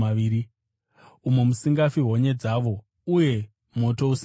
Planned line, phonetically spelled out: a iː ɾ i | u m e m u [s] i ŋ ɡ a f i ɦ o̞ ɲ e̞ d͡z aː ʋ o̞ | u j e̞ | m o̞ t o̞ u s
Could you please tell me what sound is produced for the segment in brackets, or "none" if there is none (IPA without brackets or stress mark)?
s